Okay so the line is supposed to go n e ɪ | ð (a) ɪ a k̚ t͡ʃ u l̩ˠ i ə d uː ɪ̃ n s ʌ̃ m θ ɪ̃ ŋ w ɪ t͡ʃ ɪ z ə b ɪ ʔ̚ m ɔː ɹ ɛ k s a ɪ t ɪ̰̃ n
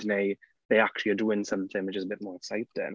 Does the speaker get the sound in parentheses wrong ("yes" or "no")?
yes